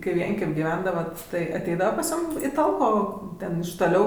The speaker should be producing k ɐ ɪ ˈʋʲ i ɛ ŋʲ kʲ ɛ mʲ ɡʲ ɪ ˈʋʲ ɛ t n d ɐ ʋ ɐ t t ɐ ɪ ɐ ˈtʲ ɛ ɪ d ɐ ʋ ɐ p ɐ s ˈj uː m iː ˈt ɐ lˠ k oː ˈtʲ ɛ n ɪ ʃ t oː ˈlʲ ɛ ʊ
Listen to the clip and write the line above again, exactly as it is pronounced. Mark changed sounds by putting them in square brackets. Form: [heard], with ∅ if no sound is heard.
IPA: k ɐ ɪ ˈʋʲ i ɛ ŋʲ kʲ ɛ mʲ ɡʲ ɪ ˈʋʲ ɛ [∅] n d ɐ ʋ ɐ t t ɐ ɪ ɐ ˈtʲ ɛ ɪ d ɐ ʋ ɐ p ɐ s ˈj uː m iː ˈt ɐ lˠ k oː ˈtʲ ɛ n ɪ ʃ t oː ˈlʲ ɛ ʊ